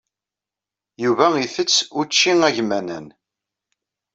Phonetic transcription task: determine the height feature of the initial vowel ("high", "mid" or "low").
high